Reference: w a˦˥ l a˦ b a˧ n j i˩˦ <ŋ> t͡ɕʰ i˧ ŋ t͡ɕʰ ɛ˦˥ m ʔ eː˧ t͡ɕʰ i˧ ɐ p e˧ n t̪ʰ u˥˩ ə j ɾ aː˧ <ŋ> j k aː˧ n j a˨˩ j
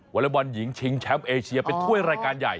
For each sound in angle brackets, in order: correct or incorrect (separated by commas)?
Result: correct, incorrect